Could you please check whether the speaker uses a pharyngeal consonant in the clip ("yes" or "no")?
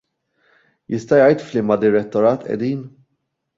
no